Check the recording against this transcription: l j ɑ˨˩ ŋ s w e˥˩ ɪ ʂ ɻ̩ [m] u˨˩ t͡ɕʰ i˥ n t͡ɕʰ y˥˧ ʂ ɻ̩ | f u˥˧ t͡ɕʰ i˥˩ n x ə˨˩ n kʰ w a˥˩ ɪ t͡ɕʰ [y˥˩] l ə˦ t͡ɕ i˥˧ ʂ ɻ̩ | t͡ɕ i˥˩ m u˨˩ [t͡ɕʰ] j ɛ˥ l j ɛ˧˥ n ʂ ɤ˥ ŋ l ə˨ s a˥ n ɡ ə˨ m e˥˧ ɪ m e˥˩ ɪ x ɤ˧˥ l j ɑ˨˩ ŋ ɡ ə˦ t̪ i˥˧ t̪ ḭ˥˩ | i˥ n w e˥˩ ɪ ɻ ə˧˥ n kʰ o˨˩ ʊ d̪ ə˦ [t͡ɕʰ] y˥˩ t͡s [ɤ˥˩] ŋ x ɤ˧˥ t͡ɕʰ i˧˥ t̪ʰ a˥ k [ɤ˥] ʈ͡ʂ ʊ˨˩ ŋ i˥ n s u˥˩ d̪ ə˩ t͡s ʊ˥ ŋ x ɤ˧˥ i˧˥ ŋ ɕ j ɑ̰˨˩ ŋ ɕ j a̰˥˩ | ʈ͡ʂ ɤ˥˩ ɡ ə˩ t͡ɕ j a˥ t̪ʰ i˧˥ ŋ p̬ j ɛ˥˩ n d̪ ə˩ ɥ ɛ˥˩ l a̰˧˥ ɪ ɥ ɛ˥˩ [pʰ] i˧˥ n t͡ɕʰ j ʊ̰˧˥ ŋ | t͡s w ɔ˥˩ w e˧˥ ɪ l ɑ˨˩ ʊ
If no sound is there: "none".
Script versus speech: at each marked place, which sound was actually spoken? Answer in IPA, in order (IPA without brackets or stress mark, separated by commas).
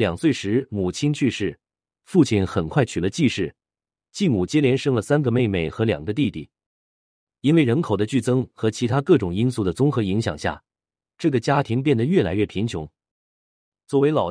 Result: m, y˨˩, t͡ɕ, t͡ɕ, ɤ˥, ɤ˥˩, pʰ